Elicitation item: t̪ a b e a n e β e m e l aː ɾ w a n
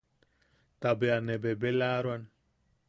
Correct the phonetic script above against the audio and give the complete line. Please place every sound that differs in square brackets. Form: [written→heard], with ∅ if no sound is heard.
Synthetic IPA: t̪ a b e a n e [β→b] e [m→b] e l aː ɾ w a n